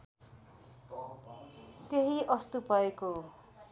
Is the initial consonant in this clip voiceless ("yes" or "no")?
yes